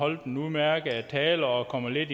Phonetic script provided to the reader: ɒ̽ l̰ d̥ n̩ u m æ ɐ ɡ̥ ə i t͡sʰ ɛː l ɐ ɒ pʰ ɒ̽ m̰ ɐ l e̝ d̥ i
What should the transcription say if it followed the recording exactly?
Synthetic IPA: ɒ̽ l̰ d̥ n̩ u m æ ɐ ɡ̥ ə æ t͡sʰ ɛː l ɐ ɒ kʰ ɒ̽ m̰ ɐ l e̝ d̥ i

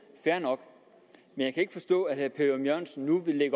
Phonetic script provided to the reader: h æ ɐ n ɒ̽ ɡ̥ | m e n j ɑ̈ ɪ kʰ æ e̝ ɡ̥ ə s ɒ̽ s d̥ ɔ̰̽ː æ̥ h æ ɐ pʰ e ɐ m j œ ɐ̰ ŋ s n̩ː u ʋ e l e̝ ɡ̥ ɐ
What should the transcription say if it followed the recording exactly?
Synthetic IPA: f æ ɐ n ɒ̽ ɡ̥ | m e n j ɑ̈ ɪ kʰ æ e̝ ɡ̥ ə f ɒ̽ s d̥ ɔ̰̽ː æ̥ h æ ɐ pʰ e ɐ m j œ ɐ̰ n s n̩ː u ʋ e l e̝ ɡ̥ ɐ

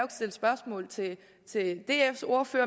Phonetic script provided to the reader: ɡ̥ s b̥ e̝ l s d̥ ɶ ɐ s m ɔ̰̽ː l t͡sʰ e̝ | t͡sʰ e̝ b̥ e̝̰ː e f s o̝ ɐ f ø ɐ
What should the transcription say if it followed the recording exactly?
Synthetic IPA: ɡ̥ s d̥ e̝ l s b̥ ɶ ɐ s m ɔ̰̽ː l t͡sʰ e̝ | t͡sʰ e̝ d̥ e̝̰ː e f s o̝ ɐ f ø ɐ

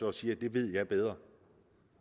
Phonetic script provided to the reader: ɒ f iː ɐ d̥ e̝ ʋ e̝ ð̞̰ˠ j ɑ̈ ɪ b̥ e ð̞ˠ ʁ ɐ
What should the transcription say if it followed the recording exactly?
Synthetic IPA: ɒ s iː ɐ d̥ e̝ ʋ e̝ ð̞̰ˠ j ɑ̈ ɪ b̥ e ð̞ˠ ʁ ɐ

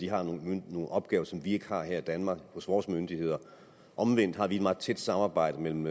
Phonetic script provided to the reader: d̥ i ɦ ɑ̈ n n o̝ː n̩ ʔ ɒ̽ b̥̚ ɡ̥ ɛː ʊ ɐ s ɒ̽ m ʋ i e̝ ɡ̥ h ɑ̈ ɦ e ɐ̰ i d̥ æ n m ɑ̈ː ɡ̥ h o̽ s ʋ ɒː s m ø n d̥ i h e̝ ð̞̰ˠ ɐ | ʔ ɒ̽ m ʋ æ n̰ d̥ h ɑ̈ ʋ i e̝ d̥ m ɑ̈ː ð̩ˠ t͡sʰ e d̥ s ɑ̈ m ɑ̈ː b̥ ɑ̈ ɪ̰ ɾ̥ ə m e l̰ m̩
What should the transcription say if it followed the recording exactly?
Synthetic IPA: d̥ i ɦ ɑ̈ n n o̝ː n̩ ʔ ɒ̽ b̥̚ ɡ̥ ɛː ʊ ɐ s ɒ̽ m ʋ i e̝ ɡ̥ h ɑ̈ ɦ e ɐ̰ i d̥ æ n m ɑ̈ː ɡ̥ h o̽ s ʋ ɒː s m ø n d̥ i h e̝ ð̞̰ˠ ɐ | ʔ ɒ̽ m ʋ e n̰ d̥ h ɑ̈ ʋ i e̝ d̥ m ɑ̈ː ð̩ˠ t͡sʰ e d̥ s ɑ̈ m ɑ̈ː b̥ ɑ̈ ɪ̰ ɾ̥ ə m e l̰ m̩

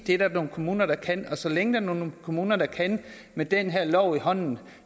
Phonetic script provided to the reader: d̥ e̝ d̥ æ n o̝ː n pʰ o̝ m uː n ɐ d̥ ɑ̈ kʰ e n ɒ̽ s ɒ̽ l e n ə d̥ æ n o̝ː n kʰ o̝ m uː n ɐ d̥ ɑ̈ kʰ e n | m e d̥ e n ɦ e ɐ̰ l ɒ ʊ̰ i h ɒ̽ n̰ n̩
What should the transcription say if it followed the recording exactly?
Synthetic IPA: d̥ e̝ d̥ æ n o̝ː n kʰ o̝ m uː n ɐ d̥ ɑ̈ kʰ æ n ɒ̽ s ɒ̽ l e ŋ ə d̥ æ n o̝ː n kʰ o̝ m uː n ɐ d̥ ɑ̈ kʰ æ n | m e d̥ e n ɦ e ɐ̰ l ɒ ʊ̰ i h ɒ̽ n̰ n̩

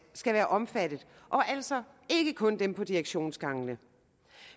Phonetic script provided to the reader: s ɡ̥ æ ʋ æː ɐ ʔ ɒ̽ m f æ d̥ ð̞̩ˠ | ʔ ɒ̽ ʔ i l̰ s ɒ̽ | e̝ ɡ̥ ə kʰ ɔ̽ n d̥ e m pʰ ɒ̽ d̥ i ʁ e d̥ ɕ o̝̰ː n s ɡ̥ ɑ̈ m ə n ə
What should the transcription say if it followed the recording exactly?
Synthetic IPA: s ɡ̥ æ ʋ æː ɐ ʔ ɒ̽ m f æ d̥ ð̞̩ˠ | ʔ ɒ̽ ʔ æ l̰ s ɒ̽ | e̝ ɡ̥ ə kʰ ɔ̽ n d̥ e m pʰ ɒ̽ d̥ i ʁ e ɡ̥ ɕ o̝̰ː n s ɡ̥ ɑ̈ ŋ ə n ə

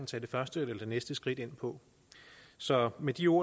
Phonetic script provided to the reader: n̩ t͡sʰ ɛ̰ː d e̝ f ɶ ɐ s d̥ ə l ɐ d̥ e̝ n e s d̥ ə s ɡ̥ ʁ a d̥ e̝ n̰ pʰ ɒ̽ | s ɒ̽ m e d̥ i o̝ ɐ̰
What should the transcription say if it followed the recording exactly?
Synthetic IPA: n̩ t͡sʰ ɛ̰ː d e̝ f ɶ ɐ s d̥ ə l ɐ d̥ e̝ n e s d̥ ə s ɡ̥ ʁ i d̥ e̝ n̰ pʰ ɒ̽ | s ɒ̽ m e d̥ i o̝ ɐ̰

